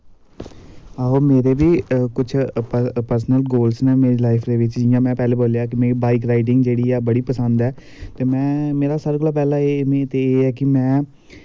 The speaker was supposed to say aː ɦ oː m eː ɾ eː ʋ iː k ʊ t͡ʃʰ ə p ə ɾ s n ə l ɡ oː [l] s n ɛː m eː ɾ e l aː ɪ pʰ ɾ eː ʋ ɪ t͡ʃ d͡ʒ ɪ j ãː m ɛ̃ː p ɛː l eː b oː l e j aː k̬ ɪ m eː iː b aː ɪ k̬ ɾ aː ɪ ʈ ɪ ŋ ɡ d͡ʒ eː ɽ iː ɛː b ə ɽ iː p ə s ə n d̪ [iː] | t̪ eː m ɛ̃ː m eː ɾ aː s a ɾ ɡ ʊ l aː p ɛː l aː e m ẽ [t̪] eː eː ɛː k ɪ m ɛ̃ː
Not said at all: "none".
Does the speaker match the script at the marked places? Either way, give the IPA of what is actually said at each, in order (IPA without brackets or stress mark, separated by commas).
l, ɛː, t̪